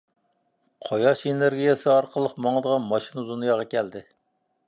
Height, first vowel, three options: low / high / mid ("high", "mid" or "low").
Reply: mid